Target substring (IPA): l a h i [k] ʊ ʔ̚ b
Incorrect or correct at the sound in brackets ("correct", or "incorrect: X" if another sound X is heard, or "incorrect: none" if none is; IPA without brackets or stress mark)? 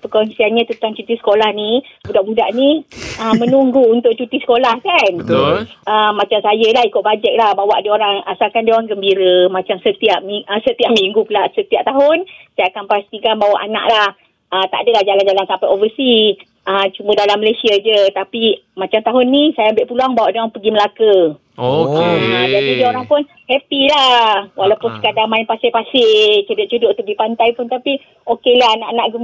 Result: correct